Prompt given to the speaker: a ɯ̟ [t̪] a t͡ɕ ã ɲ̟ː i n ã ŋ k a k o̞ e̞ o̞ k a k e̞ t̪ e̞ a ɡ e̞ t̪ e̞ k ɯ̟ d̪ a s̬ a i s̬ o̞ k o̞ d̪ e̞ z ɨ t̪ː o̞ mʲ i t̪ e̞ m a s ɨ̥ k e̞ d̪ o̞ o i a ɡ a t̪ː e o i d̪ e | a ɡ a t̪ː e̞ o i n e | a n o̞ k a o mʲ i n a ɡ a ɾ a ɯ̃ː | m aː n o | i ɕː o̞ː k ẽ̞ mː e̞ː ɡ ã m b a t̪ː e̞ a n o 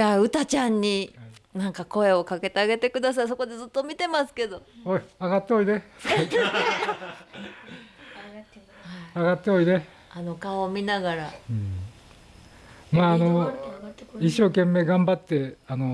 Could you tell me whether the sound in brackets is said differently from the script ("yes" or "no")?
no